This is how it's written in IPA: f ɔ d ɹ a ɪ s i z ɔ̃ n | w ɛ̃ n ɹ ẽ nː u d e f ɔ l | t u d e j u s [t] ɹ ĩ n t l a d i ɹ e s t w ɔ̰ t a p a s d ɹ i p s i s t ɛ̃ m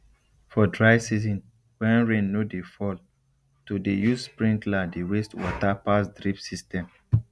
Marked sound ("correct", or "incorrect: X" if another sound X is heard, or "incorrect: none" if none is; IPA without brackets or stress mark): incorrect: p